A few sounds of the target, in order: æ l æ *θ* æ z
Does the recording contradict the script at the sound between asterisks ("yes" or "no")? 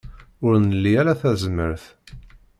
no